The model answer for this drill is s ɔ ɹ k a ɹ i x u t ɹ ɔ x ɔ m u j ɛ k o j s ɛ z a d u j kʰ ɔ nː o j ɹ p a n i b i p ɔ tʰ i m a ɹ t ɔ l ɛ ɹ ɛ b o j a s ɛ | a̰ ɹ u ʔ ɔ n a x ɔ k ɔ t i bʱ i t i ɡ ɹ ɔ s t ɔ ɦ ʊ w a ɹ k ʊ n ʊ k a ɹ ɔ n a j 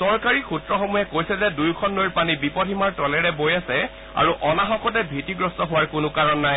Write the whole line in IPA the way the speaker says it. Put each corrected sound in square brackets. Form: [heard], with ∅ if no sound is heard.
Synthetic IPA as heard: s ɔ ɹ k a ɹ i x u t ɹ ɔ x ɔ m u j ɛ k o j s ɛ z [ɛ] d u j kʰ ɔ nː o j ɹ p a n i b i p ɔ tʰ i m a ɹ t ɔ l ɛ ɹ ɛ b o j a s ɛ | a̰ ɹ u ʔ ɔ n a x ɔ k ɔ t [ɛ] bʱ i t i ɡ ɹ ɔ s t ɔ ɦ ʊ w a ɹ k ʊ n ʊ k a ɹ ɔ [nː] a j